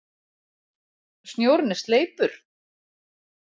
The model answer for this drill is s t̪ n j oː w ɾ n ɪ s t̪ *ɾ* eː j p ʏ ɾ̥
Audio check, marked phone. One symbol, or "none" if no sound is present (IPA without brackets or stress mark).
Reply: l